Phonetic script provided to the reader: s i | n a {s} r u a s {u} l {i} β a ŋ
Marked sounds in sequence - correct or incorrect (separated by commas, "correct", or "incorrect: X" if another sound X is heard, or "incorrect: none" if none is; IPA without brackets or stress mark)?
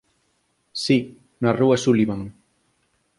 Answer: incorrect: none, correct, correct